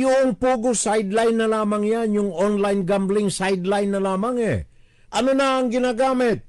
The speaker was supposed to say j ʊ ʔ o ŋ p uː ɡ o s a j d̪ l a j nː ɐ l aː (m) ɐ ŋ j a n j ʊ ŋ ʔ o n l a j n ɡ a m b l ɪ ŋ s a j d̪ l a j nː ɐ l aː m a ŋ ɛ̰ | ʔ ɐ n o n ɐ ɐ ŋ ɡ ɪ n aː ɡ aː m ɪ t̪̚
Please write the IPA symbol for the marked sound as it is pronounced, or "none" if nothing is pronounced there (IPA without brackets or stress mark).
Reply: m